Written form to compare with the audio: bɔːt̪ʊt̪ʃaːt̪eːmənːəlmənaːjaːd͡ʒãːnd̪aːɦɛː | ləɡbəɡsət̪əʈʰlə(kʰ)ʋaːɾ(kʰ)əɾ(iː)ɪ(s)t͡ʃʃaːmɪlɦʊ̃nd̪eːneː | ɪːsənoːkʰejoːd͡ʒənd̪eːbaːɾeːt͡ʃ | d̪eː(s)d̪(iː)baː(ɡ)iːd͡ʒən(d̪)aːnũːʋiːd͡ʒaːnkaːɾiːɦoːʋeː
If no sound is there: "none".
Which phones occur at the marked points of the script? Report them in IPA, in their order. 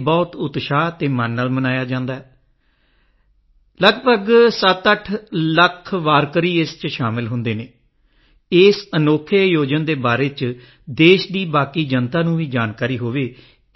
kʰ, k, iː, s, ʃ, iː, k, t̪

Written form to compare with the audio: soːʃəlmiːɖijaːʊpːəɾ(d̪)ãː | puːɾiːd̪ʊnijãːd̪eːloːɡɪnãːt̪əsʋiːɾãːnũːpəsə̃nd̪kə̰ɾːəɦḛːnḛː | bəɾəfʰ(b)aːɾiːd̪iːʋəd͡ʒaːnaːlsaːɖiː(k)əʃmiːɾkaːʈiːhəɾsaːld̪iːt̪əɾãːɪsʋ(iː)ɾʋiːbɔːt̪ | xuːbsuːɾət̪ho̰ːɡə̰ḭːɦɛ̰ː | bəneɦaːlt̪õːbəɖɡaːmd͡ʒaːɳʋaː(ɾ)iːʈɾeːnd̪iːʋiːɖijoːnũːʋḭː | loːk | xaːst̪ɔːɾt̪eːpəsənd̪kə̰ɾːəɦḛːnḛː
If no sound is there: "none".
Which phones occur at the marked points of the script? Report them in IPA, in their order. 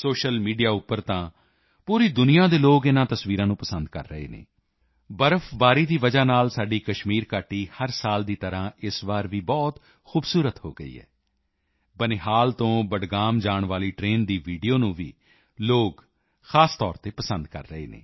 t̪, b, k, aː, l

